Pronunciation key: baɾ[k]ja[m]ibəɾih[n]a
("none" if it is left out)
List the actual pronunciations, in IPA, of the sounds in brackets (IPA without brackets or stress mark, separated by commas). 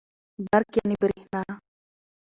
k, n, n